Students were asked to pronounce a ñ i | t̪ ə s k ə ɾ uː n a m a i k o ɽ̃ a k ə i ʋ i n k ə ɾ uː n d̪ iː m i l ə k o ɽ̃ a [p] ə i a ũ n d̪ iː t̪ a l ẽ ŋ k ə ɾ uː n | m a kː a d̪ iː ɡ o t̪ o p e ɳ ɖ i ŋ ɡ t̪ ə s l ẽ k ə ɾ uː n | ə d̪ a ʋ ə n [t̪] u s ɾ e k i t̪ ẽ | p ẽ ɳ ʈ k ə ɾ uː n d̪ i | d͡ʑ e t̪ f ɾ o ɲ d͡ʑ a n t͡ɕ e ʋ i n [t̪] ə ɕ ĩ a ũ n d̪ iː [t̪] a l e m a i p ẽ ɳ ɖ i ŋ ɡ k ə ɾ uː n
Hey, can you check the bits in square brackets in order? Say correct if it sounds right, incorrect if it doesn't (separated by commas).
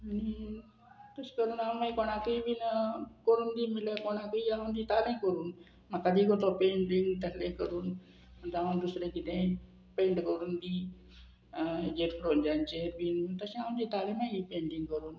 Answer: incorrect, incorrect, correct, correct